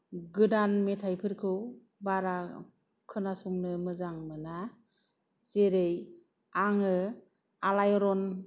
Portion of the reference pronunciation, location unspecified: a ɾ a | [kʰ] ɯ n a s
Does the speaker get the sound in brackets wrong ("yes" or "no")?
no